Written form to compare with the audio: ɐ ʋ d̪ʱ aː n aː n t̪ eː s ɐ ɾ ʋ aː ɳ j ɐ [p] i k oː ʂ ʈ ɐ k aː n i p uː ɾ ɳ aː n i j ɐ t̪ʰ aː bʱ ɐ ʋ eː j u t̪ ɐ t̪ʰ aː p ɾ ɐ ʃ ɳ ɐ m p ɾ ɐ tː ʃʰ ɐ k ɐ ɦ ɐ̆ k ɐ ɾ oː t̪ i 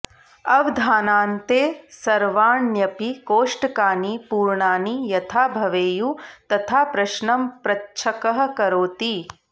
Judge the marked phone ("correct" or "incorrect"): correct